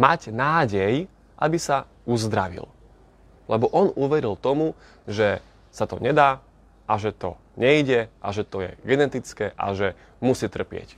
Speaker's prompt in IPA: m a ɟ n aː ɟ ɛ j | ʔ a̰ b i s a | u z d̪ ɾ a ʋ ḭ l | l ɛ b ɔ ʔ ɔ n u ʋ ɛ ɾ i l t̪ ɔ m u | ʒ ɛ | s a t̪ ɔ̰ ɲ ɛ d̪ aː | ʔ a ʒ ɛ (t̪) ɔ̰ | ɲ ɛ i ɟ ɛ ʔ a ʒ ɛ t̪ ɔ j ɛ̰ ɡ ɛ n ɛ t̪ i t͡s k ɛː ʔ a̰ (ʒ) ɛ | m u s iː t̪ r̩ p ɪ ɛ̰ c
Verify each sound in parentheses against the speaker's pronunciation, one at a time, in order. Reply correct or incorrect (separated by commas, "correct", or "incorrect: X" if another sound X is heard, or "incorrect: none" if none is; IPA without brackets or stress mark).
correct, correct